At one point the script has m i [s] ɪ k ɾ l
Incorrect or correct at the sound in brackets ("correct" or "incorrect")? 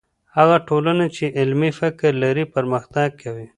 incorrect